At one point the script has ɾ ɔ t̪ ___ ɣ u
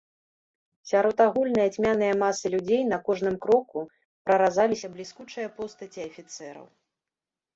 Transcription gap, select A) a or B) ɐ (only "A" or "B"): A